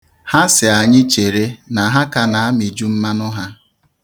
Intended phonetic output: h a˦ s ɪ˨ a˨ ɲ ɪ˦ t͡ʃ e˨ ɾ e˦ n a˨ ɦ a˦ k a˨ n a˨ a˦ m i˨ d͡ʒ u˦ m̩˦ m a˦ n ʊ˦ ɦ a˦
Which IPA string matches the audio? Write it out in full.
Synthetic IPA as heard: h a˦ s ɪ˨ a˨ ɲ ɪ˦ t͡ʃ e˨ ɾ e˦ n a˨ ɦ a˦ k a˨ n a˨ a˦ m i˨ d͡ʒ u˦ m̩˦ m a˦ n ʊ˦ ɦ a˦